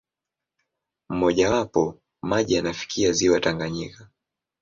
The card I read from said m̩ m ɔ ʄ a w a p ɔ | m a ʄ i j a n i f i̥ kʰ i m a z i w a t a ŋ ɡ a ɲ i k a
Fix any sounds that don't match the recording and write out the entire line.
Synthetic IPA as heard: m̩ m ɔ ʄ a w a p ɔ | m a ʄ i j a n a f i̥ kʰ i a z i w a t a ŋ ɡ a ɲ i k a